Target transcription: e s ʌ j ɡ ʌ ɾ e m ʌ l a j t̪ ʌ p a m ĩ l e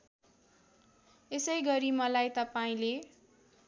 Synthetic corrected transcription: e s ʌ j ɡ ʌ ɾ i m ʌ l a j t̪ ʌ p a ĩ l e

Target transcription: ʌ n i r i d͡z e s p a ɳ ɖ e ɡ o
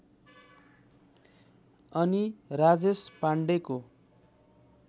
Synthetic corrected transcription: ʌ n i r a d͡z e s p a ɳ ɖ e k o

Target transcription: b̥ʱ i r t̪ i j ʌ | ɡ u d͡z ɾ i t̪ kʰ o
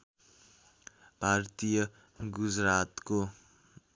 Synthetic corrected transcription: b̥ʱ a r t̪ i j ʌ | ɡ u d͡z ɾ a t̪ k o

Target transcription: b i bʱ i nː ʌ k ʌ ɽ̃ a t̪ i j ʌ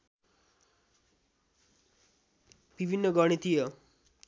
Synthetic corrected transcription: b i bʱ i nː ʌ ɡ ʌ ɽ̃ i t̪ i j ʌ

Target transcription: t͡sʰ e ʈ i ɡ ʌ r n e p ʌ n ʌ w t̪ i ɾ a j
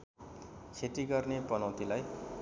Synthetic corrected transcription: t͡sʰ e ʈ i ɡ ʌ r n e p ʌ n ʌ w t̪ i l a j

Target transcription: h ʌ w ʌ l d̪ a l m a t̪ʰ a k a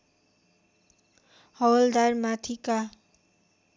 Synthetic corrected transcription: h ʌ w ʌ l d̪ a r m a t̪ʰ i k a

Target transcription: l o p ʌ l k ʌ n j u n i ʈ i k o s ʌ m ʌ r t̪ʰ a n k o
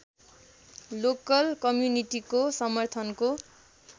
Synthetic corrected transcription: l o k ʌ l k ʌ m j u n i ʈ i k o s ʌ m ʌ r t̪ʰ ʌ n k o

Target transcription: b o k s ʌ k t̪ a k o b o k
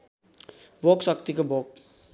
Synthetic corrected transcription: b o k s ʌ k t̪ i k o b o k

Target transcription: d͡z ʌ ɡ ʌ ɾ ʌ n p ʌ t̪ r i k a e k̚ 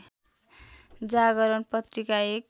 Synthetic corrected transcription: d͡z a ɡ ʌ ɾ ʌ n p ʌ t̪ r i k a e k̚

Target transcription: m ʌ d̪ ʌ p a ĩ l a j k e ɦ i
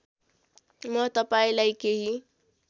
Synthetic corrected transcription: m ʌ t̪ ʌ p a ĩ l a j k e ɦ i

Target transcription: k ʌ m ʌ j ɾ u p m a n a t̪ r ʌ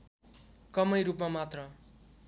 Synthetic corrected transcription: k ʌ m ʌ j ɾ u p m a m a t̪ r ʌ

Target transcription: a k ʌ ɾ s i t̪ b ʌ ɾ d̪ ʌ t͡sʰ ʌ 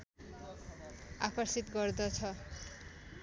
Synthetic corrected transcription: a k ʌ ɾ s i t̪ ɡ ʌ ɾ d̪ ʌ t͡sʰ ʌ

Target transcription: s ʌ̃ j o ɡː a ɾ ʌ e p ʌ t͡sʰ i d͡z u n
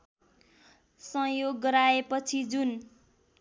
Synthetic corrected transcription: s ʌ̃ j o ɡː ʌ ɾ a e p ʌ t͡sʰ i d͡z u n

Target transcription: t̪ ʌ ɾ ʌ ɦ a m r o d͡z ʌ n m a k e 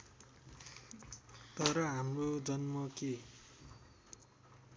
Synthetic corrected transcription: t̪ ʌ ɾ ʌ ɦ a m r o d͡z ʌ n m ʌ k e

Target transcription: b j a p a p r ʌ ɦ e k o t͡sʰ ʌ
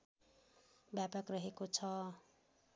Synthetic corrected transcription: b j a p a k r ʌ ɦ e k o t͡sʰ ʌ

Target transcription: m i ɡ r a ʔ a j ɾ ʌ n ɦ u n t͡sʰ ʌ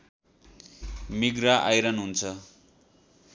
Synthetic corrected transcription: m i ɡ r a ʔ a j ɾ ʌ n ɦ u n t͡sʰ ʌ

